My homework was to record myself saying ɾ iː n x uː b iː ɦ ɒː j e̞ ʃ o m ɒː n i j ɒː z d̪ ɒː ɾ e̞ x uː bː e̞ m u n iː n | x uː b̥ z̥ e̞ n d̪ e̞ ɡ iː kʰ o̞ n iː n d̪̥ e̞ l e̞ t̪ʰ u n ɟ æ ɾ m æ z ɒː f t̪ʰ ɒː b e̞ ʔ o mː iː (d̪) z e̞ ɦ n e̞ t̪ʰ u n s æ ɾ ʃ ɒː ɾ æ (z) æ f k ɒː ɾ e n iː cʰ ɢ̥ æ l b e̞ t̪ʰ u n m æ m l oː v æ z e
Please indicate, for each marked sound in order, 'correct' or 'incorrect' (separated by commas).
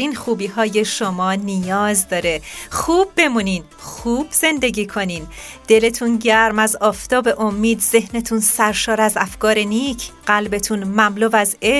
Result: correct, correct